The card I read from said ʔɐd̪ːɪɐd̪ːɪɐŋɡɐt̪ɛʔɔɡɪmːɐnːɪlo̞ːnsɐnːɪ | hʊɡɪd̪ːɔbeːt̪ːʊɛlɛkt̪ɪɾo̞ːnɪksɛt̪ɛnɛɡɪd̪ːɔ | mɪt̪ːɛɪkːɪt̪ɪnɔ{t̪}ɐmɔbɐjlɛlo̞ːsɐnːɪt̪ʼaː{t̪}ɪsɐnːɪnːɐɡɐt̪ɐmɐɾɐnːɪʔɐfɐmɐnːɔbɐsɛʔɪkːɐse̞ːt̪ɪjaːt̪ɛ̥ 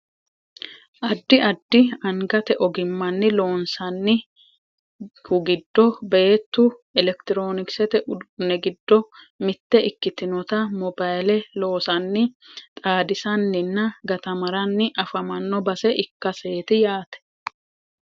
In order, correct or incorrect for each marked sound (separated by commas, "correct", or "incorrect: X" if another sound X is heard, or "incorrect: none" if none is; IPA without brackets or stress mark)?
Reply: correct, incorrect: d̪